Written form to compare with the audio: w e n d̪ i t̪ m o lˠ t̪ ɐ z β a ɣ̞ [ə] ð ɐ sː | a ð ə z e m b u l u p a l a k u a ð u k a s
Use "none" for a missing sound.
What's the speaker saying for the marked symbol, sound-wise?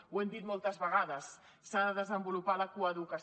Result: a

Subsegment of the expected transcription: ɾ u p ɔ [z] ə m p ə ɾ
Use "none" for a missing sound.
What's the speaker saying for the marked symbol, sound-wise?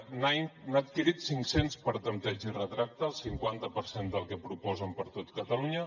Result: z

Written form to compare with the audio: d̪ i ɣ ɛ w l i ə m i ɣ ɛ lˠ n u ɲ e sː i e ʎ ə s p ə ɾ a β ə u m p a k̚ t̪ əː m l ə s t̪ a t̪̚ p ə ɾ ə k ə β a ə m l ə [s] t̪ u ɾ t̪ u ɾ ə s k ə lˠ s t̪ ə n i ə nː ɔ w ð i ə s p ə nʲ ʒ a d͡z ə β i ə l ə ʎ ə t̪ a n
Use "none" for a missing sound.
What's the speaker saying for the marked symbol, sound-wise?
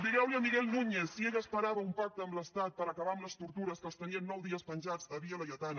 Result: s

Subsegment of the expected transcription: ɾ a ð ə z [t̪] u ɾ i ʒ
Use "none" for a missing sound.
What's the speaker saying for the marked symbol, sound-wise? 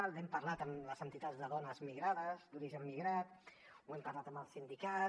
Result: d̪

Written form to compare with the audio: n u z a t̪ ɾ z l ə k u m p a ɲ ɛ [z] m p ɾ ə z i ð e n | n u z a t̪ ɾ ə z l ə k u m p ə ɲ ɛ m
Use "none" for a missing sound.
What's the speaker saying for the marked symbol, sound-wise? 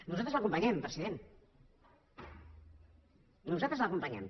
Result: none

